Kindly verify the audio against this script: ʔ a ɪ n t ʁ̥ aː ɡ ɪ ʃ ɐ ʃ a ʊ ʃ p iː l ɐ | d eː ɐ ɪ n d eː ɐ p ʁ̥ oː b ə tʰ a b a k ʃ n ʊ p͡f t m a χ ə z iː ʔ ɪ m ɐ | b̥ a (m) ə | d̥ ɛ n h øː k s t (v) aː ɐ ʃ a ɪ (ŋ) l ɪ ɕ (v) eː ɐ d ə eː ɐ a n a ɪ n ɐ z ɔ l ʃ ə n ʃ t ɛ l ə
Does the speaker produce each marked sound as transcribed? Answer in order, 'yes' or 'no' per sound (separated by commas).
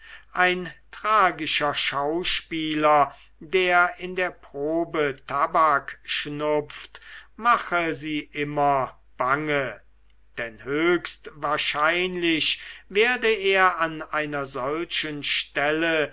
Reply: no, yes, no, yes